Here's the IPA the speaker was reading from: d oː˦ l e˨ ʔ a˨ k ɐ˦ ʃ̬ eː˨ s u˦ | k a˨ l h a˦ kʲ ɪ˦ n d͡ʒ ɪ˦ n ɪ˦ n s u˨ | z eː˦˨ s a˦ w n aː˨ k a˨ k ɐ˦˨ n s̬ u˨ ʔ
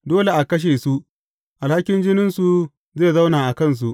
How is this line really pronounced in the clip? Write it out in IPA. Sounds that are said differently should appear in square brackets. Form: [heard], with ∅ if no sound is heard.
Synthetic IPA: d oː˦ l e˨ ʔ a˨ k ɐ˦ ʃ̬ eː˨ s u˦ | [ʔ] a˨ l h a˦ kʲ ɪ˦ n d͡ʒ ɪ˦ n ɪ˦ n s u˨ | z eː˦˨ [z] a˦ w n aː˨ [ʔ] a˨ k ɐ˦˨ n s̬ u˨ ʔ

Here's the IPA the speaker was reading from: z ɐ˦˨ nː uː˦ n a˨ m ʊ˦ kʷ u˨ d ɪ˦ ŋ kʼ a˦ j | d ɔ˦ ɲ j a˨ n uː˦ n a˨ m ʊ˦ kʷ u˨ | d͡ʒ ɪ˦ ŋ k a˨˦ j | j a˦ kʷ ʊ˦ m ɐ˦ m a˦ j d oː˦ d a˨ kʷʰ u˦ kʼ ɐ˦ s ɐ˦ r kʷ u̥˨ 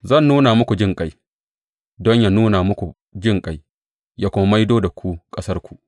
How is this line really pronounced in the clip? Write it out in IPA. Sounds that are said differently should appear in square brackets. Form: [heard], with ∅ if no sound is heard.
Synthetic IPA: z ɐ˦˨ nː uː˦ n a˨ m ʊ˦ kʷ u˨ [d͡ʒ] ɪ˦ ŋ kʼ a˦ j | d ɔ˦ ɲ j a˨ n uː˦ n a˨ m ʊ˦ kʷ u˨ | d͡ʒ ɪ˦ ŋ [kʼ] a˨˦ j | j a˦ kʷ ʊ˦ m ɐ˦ m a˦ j d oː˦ d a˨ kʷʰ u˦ kʼ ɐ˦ s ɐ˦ r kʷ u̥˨

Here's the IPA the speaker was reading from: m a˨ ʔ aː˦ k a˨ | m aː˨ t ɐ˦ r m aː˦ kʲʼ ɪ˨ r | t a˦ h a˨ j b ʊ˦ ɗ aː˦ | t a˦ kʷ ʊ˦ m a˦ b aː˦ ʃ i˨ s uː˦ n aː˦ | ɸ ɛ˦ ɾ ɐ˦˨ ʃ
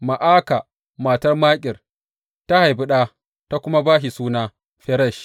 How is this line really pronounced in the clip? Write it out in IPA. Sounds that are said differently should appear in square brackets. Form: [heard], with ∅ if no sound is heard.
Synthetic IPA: m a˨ ʔ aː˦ k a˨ | m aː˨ t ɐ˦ r m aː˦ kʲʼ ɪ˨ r | t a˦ h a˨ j b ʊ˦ ɗ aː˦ | t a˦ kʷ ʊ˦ m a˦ b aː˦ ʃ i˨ s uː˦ n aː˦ | ɸ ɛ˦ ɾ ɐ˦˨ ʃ

